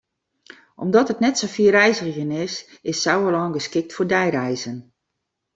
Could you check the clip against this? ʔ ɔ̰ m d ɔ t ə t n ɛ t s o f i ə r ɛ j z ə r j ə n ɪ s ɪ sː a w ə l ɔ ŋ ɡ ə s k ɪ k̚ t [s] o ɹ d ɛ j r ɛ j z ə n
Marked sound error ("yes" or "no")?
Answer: yes